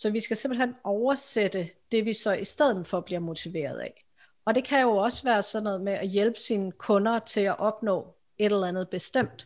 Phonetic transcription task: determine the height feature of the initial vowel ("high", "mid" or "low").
low